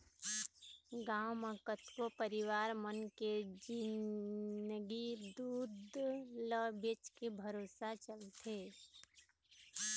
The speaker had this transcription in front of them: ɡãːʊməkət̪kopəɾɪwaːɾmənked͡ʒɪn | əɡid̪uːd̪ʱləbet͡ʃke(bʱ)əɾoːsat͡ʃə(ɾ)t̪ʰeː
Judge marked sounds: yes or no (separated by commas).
yes, no